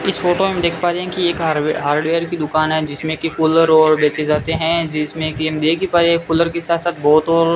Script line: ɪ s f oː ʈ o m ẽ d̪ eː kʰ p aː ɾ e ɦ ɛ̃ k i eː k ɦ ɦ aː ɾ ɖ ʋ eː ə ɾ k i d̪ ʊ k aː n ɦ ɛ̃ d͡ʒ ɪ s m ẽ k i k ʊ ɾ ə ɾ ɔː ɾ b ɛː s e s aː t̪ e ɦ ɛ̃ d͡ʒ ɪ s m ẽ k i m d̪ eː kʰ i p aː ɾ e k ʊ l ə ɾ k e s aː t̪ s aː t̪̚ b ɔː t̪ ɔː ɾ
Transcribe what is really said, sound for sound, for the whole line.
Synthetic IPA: ɪ s f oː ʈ o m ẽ d̪ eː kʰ p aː ɾ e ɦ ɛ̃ k i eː k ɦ ɦ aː ɾ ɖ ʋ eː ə ɾ k i d̪ ʊ k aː n ɦ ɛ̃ d͡ʒ ɪ s m ẽ k i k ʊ l ə ɾ ɔː ɾ b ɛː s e z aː t̪ e ɦ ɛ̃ d͡ʒ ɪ s m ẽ k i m d̪ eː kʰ i p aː ɾ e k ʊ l ə ɾ k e s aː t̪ s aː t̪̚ b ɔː t̪ ɔː ɾ